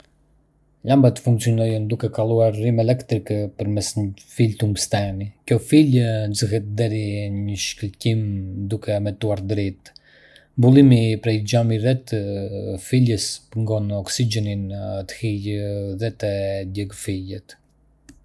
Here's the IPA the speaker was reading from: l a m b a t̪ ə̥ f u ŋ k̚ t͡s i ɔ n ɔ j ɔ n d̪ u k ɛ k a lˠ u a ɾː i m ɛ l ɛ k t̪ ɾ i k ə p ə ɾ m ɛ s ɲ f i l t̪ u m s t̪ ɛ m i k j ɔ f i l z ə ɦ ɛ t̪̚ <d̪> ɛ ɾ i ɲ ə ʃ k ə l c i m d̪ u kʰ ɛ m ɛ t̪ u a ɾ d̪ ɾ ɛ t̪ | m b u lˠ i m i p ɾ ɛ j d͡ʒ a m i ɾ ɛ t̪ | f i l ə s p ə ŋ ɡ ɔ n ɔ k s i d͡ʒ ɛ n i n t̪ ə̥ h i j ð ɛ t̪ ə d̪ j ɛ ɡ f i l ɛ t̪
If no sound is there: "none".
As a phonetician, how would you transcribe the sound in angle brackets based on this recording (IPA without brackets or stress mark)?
d̪